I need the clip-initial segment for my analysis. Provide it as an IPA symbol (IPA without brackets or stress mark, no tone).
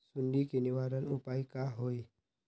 s